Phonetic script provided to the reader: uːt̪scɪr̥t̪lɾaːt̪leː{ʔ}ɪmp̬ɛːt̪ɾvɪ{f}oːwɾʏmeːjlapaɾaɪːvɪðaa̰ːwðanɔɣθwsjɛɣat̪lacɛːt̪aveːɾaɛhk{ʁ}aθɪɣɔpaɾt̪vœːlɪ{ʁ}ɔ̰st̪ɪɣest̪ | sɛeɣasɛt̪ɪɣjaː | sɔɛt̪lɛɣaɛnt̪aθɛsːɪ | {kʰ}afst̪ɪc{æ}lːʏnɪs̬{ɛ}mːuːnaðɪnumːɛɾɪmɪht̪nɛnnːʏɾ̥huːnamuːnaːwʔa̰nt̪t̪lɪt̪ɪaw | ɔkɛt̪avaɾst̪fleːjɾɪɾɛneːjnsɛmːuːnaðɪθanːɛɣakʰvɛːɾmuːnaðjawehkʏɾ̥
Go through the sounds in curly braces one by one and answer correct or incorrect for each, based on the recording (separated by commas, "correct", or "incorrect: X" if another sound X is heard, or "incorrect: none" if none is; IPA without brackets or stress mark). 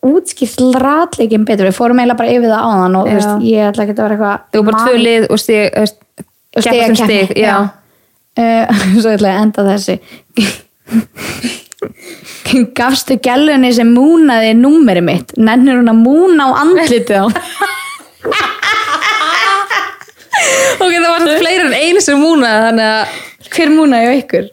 incorrect: c, correct, incorrect: v, incorrect: ð, incorrect: k, incorrect: ɛ, correct